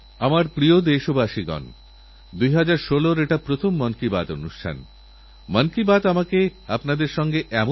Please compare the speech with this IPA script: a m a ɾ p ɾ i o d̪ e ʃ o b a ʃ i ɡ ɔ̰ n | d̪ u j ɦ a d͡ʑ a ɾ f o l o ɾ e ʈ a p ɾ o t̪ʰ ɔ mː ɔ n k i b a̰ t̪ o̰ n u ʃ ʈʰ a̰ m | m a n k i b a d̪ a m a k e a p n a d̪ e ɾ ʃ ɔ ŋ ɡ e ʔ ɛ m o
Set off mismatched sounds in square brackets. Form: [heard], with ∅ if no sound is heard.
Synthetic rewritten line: a m a ɾ p ɾ i o d̪ e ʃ o b a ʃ i ɡ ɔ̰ n | d̪ u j ɦ a d͡ʑ a ɾ [ʃ] o l o ɾ e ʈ a p ɾ o t̪ʰ [o] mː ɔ n k i b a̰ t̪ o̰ n u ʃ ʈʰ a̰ [n] | m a n k i b a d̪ a m a k e a p n a d̪ e ɾ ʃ ɔ ŋ ɡ e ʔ ɛ m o